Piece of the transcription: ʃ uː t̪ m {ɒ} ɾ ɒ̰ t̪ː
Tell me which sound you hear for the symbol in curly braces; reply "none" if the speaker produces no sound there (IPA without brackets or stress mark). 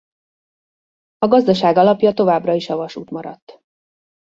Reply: ɒ